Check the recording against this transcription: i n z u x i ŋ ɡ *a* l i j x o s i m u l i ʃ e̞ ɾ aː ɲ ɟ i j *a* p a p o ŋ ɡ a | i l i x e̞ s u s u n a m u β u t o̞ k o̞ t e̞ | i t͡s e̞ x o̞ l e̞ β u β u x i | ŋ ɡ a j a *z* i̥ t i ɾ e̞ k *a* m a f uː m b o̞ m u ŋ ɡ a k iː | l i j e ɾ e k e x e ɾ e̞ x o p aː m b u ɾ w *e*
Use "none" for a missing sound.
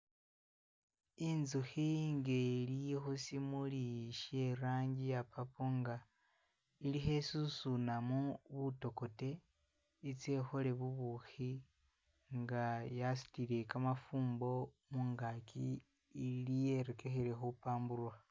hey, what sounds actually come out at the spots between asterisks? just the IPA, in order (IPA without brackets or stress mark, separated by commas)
e, a, s, a, a